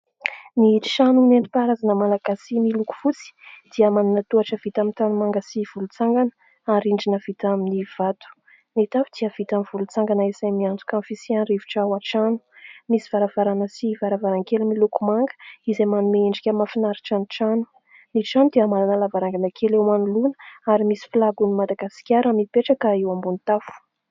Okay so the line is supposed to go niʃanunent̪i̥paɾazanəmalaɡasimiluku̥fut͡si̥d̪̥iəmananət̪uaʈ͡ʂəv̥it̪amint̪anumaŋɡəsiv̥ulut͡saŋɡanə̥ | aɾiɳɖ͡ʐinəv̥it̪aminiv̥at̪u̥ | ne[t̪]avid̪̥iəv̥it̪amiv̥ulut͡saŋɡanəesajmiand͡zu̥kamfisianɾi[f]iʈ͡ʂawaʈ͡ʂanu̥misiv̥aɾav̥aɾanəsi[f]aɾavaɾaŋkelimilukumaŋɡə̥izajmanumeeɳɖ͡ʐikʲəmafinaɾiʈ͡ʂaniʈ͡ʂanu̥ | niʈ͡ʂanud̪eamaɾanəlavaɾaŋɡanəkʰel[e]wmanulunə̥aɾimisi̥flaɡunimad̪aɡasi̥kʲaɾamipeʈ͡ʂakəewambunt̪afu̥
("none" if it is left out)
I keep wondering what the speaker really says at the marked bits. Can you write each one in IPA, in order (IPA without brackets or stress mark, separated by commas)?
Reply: t̪, v, v, e